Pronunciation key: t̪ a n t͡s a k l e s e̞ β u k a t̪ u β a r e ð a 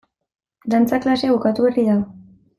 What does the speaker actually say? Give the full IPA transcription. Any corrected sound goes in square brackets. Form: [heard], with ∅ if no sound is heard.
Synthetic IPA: [d̪] a n t͡s a k l [a] s e̞ β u k a t̪ u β [e] r [i] ð a